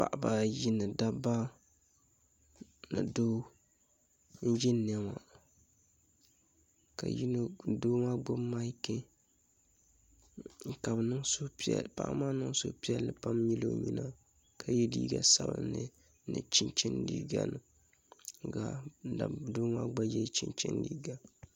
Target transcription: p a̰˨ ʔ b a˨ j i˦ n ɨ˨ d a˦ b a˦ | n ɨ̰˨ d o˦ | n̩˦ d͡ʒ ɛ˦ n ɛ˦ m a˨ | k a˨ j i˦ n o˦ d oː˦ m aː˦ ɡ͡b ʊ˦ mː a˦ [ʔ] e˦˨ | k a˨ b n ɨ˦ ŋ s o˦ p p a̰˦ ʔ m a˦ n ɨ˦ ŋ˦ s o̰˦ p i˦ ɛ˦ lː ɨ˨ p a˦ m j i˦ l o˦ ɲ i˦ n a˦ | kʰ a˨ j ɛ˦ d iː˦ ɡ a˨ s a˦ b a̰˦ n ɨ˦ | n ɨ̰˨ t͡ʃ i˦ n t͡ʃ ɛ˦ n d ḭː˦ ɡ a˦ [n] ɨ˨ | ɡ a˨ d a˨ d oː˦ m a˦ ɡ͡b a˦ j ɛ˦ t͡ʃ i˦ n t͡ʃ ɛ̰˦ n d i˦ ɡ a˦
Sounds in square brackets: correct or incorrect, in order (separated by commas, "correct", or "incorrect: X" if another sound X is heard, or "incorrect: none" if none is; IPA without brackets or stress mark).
incorrect: k, correct